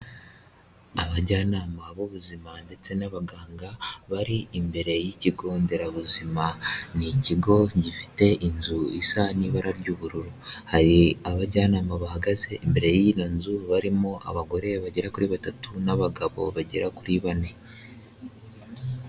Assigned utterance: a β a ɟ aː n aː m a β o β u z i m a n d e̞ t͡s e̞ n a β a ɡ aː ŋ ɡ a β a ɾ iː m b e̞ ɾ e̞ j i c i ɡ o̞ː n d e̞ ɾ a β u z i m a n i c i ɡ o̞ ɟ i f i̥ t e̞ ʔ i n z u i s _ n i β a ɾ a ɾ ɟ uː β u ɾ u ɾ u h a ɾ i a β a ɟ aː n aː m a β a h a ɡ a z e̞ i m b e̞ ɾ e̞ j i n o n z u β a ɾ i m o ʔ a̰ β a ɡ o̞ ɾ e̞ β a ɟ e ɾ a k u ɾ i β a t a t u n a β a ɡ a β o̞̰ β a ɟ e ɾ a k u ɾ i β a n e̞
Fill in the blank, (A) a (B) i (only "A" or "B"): A